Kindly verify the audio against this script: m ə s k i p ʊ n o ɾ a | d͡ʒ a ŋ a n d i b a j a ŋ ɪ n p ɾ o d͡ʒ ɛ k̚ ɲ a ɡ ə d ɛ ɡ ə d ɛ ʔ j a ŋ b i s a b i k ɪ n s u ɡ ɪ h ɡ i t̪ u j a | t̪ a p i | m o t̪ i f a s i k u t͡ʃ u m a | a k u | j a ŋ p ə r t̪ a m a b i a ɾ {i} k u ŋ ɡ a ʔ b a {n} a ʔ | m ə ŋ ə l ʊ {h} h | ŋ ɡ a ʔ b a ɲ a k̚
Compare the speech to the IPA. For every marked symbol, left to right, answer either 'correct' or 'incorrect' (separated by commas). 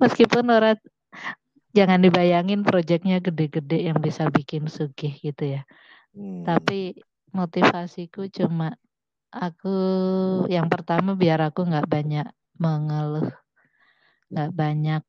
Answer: incorrect, incorrect, correct